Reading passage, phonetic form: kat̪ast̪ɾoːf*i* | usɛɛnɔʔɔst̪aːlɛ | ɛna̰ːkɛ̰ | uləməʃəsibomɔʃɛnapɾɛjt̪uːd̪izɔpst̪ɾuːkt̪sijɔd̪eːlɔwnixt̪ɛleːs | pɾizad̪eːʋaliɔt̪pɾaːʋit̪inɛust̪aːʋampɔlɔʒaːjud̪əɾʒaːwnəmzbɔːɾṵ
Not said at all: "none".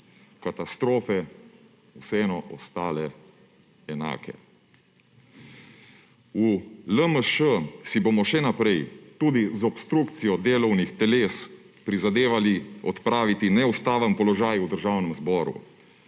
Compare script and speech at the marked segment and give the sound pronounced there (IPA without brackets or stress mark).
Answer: ɛ